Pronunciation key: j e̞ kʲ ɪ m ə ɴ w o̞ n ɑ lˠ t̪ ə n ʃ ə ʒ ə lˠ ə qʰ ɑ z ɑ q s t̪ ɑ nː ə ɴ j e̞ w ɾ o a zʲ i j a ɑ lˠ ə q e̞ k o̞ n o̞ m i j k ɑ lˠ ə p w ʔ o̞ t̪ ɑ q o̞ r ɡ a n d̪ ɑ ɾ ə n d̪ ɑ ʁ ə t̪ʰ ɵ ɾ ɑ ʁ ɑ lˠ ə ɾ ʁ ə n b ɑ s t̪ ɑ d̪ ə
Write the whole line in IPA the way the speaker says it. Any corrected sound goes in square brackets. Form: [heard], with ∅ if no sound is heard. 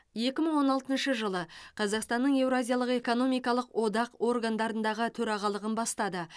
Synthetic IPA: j e̞ kʲ ɪ m ə ɴ w o̞ n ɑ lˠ t̪ ə n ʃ ə ʒ ə lˠ ə qʰ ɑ z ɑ q s t̪ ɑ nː ə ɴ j e̞ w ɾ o a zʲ i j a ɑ lˠ ə q e̞ k o̞ n o̞ m i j k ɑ lˠ ə [q] w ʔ o̞ [d̪] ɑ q o̞ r ɡ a n d̪ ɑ ɾ ə n d̪ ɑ ʁ ə t̪ʰ ɵ ɾ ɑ ʁ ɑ lˠ ə [∅] ʁ ə n b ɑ s t̪ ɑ d̪ ə